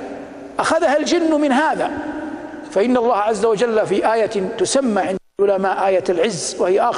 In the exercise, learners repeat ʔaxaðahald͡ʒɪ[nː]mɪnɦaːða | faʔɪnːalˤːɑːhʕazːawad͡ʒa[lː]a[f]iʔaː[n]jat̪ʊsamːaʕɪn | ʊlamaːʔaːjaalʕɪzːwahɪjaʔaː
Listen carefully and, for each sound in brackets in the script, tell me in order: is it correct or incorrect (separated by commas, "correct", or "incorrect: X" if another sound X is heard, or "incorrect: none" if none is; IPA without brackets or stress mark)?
correct, correct, correct, incorrect: none